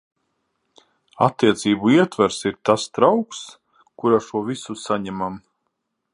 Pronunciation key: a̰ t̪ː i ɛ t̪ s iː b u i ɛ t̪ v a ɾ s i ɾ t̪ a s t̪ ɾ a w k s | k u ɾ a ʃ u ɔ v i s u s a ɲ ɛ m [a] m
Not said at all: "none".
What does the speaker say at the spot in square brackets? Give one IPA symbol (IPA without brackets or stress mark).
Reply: a